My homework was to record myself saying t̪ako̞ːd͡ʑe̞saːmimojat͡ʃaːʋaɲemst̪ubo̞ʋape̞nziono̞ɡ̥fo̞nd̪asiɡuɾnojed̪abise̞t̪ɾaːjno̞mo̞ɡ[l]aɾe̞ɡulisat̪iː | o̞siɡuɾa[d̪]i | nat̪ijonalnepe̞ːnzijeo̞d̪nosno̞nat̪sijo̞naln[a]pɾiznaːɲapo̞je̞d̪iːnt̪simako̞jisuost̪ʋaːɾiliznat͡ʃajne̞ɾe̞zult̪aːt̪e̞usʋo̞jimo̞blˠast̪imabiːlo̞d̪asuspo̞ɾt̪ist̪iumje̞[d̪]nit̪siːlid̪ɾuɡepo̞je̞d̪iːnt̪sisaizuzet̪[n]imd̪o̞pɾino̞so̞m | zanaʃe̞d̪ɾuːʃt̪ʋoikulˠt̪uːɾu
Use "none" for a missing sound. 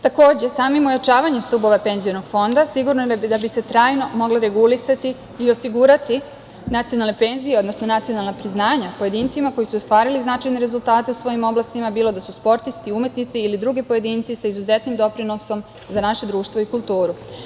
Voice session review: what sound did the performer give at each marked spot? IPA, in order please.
l, t̪, a, t̪, n

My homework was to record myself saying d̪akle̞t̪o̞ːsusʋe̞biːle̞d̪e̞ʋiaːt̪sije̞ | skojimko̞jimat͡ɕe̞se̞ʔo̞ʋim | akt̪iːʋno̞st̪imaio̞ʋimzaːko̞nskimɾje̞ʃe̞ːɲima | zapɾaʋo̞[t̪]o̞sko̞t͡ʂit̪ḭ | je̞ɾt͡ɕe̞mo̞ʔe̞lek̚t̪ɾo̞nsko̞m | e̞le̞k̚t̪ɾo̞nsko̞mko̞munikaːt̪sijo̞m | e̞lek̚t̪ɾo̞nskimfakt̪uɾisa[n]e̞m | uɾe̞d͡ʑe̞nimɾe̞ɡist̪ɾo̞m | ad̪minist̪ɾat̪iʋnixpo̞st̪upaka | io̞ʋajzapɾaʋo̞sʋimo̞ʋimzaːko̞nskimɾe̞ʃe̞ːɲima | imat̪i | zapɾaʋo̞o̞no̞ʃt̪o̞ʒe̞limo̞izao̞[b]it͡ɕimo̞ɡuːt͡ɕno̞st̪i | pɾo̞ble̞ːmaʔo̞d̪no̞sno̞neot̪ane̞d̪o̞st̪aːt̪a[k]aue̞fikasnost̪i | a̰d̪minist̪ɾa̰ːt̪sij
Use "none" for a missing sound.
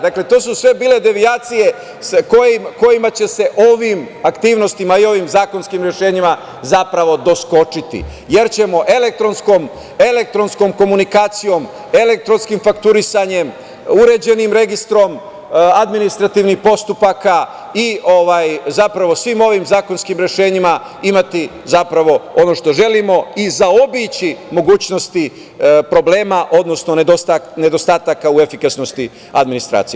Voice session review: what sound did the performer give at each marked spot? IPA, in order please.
d̪, ɲ, b, k

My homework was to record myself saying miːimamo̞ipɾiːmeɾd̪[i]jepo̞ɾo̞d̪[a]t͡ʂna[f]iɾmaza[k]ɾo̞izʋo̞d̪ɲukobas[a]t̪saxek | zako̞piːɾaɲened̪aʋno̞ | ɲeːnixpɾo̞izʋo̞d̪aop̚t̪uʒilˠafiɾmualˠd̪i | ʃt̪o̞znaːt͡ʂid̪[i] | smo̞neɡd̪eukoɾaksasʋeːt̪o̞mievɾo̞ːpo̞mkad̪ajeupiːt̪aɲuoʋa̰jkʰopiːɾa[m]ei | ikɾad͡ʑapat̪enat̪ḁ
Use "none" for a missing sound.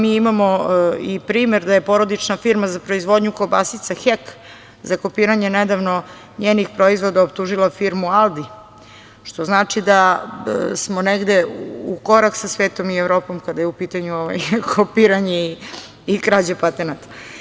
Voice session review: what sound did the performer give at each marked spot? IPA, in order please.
a, i, f, p, i, a, ɲ

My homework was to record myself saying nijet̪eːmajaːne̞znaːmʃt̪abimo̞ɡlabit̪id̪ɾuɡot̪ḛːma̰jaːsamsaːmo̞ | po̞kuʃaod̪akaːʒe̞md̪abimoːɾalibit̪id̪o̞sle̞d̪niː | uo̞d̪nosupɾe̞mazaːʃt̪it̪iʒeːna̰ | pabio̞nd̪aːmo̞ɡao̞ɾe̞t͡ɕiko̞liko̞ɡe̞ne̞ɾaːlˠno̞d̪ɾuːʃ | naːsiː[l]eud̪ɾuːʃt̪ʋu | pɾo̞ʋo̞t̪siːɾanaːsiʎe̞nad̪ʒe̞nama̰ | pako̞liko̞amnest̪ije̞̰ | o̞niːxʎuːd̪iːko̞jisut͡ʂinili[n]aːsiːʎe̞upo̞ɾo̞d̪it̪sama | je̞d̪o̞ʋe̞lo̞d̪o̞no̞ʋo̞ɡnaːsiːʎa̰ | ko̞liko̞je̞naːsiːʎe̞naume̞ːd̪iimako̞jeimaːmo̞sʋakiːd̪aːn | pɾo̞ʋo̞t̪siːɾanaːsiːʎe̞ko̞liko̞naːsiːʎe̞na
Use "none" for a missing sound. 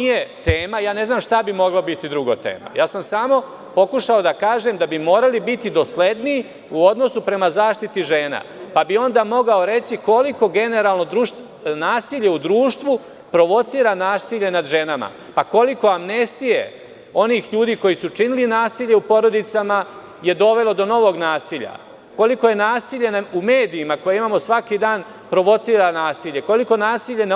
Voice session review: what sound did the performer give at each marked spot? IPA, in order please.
ʎ, n

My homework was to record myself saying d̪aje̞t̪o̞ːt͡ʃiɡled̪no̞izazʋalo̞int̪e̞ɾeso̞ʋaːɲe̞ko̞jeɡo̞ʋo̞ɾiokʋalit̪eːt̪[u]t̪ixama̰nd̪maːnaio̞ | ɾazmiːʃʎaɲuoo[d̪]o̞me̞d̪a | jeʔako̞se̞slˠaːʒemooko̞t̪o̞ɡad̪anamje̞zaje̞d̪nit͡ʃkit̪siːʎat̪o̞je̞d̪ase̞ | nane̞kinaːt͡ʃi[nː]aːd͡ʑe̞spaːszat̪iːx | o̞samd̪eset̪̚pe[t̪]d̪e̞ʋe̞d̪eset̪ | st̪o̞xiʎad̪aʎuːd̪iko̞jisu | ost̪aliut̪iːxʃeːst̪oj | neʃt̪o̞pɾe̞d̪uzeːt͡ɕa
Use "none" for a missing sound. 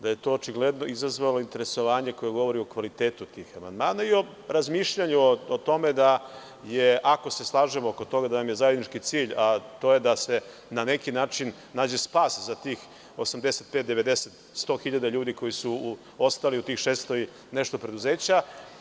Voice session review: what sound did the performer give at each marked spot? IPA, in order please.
u, t̪, nː, t̪

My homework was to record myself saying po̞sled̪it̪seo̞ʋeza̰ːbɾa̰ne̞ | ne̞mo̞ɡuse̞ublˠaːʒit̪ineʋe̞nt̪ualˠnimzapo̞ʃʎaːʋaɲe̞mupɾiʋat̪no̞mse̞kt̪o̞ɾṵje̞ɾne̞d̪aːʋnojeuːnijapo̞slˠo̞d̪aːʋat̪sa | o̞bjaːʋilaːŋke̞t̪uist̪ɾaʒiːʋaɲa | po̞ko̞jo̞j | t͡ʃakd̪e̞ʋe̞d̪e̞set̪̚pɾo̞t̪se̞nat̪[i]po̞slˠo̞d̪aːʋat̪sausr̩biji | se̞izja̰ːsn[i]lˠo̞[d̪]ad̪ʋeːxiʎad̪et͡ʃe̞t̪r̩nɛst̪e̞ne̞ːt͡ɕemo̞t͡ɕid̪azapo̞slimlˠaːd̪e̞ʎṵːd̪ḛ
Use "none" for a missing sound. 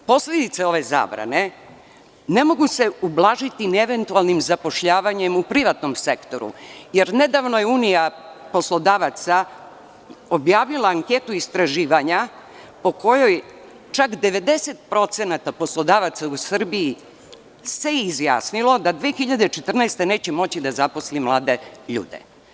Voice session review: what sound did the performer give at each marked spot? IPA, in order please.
a, i, d̪

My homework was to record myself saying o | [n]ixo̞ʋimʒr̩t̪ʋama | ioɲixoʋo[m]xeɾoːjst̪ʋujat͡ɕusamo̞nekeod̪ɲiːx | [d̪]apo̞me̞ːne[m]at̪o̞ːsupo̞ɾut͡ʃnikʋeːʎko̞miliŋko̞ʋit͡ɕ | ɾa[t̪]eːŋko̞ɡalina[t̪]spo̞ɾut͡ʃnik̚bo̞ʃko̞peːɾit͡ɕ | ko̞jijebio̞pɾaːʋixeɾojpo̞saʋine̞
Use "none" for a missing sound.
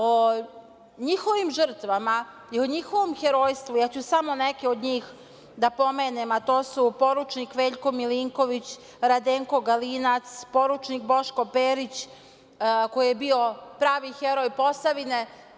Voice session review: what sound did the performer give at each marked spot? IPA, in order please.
ɲ, m, d̪, m, d̪, t̪

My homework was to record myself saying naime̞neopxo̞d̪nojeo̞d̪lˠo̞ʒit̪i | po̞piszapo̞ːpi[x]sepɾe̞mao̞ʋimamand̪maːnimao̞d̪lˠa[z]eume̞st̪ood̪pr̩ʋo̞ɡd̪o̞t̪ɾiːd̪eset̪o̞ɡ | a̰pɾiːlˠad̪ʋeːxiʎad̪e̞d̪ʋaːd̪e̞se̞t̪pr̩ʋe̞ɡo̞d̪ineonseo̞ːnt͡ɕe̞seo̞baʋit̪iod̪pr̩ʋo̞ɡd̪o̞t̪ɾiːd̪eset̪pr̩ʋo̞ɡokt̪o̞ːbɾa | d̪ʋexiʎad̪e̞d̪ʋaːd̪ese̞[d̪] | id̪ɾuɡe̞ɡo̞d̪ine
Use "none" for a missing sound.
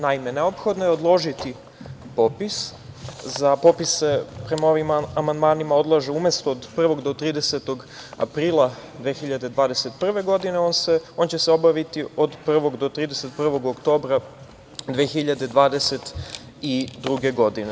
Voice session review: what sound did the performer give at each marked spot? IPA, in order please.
s, ʒ, t̪

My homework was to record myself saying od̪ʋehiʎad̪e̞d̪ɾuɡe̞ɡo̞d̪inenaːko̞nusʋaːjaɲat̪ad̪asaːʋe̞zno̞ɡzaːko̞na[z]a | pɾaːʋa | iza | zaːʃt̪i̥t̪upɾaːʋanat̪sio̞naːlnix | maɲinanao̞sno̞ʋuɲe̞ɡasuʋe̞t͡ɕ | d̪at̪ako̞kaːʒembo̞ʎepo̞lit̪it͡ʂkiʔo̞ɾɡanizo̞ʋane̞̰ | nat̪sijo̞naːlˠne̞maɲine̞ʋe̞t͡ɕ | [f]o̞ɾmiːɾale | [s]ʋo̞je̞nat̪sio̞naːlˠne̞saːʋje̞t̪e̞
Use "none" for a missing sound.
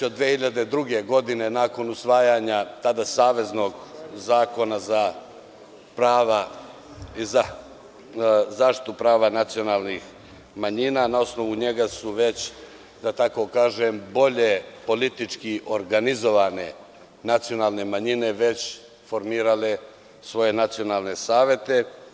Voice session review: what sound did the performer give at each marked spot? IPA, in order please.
z, f, s

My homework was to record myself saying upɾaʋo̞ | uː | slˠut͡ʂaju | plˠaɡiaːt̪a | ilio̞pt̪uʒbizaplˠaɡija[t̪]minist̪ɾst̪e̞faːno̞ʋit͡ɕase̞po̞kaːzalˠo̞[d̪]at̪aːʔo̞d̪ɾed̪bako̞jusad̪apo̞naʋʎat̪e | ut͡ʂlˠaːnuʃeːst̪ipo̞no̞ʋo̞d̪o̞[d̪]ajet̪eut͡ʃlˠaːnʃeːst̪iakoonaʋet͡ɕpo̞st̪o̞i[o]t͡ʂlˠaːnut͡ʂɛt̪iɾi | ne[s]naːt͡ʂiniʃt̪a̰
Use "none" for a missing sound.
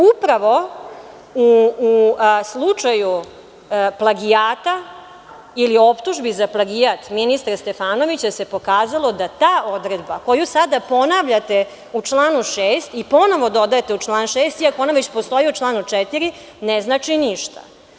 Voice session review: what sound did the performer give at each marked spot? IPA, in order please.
t̪, d̪, d̪, u, z

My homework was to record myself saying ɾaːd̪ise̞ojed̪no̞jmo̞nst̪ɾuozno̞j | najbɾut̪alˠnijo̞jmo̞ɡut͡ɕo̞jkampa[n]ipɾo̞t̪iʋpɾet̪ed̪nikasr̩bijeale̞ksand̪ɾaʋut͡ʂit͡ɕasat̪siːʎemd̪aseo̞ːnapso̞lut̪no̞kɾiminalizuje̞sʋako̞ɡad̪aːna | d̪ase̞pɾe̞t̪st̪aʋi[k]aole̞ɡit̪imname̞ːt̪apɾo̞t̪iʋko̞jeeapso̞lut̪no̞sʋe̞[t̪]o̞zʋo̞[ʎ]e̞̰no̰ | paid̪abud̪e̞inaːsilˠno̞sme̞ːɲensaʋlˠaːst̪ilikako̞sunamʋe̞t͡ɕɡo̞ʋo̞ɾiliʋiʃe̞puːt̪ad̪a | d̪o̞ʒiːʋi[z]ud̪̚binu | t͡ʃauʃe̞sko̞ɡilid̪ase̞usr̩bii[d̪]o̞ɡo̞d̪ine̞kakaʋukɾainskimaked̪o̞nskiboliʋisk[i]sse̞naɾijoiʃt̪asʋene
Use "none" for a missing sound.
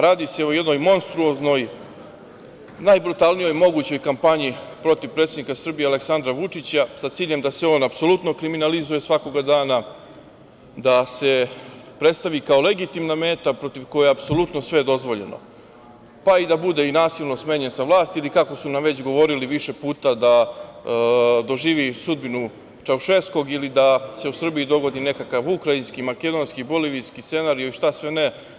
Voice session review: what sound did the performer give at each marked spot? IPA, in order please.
ɲ, k, d̪, ʎ, s, d̪, i

